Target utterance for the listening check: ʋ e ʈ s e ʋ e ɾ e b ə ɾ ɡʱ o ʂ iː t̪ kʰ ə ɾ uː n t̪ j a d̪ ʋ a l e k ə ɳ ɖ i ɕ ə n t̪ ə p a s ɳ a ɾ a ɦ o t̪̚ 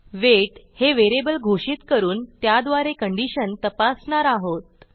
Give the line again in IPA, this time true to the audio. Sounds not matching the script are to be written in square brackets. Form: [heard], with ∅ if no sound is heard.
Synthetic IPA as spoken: ʋ e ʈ [h] e ʋ e ɾ e b ə [l] ɡʱ o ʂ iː t̪ [k] ə ɾ uː n t̪ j a d̪ ʋ a [ɾ] e k ə ɳ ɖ i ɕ ə n t̪ ə p a s ɳ a ɾ a ɦ o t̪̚

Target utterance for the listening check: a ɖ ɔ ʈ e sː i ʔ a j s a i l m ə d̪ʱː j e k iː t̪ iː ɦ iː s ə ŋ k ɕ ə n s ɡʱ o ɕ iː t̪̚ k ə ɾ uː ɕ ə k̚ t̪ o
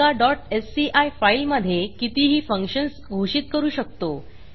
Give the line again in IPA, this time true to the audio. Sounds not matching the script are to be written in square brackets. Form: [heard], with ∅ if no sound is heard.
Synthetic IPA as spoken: a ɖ ɔ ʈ e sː i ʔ a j [f] a i l m ə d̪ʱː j e k [i] t̪ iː ɦ iː [f] ə ŋ k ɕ ə n s ɡʱ o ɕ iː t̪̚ k ə ɾ uː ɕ ə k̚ t̪ o

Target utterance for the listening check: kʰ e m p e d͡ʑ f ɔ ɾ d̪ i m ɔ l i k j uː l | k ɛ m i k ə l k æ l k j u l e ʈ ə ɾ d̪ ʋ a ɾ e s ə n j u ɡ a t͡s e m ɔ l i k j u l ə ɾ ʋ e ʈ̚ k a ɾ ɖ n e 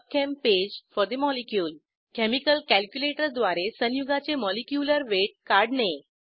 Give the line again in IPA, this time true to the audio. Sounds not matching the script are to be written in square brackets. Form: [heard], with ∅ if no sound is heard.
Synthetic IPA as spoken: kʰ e m p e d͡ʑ f ɔ ɾ d̪ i m ɔ l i k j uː l | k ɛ m i k ə l k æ l k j u l e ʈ ə ɾ d̪ ʋ a ɾ e s ə n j u ɡ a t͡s e m ɔ l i k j u l ə ɾ ʋ e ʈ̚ k a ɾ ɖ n e

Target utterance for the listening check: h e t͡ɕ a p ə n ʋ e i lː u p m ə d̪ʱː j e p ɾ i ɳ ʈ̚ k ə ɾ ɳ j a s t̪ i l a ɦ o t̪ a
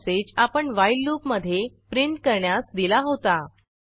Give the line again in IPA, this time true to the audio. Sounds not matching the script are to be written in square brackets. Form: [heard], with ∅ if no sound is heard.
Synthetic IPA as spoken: [s] e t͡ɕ a p ə [ɳ] ʋ [a] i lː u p m ə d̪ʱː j e p ɾ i ɳ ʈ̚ k ə ɾ ɳ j a s [d̪] i l a ɦ o t̪ a

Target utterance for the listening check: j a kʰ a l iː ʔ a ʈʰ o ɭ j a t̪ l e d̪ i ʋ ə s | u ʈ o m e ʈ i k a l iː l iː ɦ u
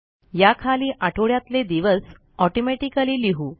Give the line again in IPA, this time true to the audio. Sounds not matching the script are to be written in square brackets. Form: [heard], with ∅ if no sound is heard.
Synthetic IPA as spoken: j a kʰ a l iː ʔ a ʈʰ o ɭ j a t̪ l e d̪ i ʋ ə s | [ɔ] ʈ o m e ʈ i k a l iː l [i] ɦ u

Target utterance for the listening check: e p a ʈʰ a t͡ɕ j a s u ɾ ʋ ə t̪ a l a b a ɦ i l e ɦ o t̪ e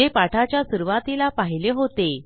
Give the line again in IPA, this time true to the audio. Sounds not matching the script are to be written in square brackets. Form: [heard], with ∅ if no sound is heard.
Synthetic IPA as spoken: e p a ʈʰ a t͡ɕ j a s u ɾ ʋ [a] t̪ [i] l a [p] a ɦ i l e ɦ o t̪ e

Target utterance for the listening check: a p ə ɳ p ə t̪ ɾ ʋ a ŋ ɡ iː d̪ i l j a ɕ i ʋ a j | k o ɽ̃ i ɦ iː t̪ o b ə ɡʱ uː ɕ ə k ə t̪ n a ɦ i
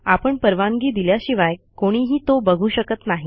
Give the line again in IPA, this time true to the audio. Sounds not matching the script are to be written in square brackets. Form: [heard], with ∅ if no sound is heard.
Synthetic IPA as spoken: a p ə ɳ p ə [∅] ɾ ʋ a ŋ ɡ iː d̪ i l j a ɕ i ʋ a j | k o ɽ̃ i ɦ iː t̪ o b ə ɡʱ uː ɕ ə k ə t̪ n a ɦ i

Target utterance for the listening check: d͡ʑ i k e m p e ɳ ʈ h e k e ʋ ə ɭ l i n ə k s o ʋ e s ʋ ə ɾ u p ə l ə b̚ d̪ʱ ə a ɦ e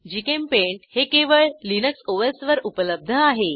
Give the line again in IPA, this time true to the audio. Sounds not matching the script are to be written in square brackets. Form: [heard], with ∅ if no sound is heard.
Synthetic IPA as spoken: d͡ʑ i k e m p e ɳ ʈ h e k e ʋ ə ɭ l i n ə k s o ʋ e s ʋ ə ɾ u p ə l ə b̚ d̪ʱ ə a ɦ e

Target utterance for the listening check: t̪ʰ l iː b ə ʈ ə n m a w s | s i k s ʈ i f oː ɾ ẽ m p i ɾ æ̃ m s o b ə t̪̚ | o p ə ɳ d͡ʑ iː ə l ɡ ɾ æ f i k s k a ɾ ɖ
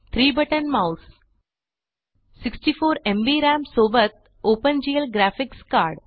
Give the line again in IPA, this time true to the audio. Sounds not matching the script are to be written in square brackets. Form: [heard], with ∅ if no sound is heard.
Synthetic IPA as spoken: t̪ʰ [ɾ] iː b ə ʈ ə n m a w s | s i k s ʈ i f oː ɾ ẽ m [b] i ɾ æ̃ m s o b ə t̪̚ | o p ə [n] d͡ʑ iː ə l ɡ ɾ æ f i k s k a ɾ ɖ

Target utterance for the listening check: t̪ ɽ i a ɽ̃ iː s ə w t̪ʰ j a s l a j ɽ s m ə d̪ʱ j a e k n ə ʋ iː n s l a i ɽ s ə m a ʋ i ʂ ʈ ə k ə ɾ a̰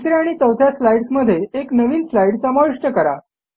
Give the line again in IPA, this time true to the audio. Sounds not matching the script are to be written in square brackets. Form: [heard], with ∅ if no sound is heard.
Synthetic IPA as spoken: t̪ [ɾ] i a ɽ̃ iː [t͡s] ə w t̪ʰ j a s l a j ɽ s m ə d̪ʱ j [e] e k n ə ʋ iː n s l a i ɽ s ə m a ʋ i ʂ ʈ ə k ə ɾ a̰

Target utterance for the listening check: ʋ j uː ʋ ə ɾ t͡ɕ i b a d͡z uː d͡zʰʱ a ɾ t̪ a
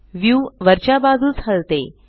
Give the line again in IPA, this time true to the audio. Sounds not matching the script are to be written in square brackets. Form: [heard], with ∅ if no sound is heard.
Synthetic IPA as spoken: ʋ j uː ʋ ə ɾ t͡ɕ [a] b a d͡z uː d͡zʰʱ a [l] t̪ [e]

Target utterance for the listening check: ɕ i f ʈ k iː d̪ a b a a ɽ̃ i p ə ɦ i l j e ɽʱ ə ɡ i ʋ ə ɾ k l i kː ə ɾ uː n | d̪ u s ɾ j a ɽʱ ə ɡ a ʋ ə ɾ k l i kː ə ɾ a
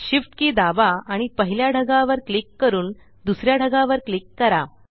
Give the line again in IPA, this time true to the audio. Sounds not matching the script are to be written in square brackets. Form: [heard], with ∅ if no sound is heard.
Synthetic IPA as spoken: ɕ i f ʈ k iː d̪ a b a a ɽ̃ i p ə ɦ i l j [a] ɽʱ ə ɡ [a] ʋ ə ɾ k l i kː ə ɾ uː n | d̪ u s ɾ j a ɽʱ ə ɡ a ʋ ə ɾ k l i kː ə ɾ a

